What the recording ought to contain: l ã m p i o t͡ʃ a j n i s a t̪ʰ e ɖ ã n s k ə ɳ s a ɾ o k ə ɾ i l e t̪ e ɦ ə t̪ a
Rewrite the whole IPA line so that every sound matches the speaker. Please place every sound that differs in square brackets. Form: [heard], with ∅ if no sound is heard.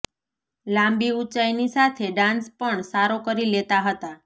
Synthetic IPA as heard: l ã m [b] i [u] t͡ʃ a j n i s a t̪ʰ e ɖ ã n s [p] ə ɳ s a ɾ o k ə ɾ i l e t̪ [a] ɦ ə t̪ a